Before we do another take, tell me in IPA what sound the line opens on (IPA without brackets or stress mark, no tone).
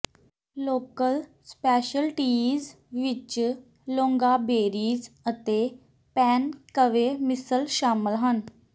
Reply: l